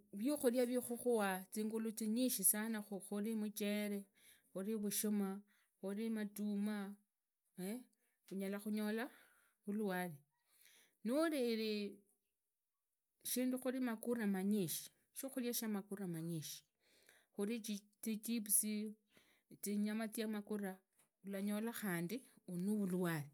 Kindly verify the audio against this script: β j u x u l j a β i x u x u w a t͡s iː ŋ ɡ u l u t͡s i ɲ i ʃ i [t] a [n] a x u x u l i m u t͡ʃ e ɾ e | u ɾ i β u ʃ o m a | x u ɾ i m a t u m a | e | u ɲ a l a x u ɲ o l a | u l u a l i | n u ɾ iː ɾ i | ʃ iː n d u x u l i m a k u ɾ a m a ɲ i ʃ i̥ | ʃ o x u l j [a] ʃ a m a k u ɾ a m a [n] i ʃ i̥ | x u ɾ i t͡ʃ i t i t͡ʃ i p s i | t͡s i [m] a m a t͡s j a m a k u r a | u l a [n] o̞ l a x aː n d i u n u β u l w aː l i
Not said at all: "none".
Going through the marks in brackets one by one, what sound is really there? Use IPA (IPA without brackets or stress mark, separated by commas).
s, n, a, ɲ, ɲ, ɲ